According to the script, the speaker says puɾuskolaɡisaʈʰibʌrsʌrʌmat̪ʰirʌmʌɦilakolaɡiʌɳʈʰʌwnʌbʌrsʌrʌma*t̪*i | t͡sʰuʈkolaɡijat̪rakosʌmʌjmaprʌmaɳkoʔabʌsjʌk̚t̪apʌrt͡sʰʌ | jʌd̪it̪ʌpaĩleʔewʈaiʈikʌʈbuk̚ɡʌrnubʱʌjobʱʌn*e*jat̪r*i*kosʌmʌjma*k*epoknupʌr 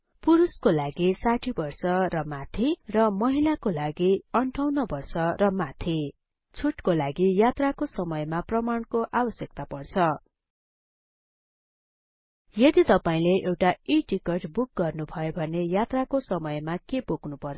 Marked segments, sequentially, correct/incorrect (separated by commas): incorrect, correct, incorrect, correct